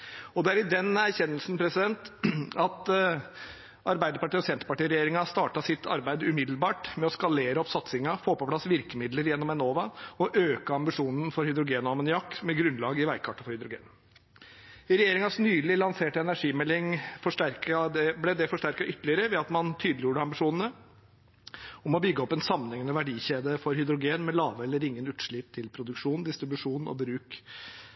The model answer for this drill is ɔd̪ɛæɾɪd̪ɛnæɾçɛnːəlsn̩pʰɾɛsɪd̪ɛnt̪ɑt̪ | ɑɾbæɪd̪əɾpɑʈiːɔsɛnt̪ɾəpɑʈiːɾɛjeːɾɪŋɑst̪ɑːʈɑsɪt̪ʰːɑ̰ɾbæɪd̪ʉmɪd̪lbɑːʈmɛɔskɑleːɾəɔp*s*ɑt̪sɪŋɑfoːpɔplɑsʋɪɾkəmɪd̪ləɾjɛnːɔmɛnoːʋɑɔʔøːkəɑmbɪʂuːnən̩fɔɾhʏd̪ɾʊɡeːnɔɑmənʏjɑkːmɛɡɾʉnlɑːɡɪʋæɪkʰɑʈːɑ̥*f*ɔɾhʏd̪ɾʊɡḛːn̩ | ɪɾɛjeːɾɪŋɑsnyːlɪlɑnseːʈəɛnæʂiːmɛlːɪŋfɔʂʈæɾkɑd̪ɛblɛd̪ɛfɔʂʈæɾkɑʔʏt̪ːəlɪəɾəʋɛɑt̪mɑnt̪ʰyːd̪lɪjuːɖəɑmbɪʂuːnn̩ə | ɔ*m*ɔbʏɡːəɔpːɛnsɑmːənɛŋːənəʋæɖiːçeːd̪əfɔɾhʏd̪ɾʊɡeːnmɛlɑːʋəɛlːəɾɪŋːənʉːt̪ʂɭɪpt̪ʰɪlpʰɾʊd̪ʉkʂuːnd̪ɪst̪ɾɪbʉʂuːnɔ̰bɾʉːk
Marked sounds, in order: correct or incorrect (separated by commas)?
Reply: correct, correct, correct